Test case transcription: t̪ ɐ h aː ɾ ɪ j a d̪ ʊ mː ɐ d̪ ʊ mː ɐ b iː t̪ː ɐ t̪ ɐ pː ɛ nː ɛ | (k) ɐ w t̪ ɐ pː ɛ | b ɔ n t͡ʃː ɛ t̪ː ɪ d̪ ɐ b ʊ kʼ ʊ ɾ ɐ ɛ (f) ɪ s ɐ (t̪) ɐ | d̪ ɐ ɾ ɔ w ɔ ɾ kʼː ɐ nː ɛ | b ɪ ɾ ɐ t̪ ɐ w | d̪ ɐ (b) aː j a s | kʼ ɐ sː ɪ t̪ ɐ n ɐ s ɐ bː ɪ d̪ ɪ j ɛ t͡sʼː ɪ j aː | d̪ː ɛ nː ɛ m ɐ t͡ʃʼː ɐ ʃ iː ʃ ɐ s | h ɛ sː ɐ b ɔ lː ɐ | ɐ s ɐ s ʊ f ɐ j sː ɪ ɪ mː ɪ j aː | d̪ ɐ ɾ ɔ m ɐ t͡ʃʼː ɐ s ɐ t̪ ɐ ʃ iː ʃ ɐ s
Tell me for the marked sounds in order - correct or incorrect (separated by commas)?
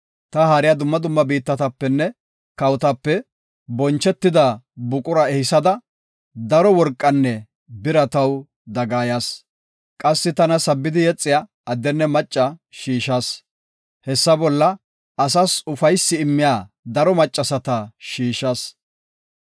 correct, incorrect, incorrect, incorrect